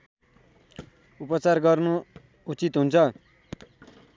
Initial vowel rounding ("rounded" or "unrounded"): rounded